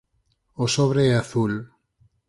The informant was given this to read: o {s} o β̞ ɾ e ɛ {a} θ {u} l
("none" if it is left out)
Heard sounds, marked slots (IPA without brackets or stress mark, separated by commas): s, a, u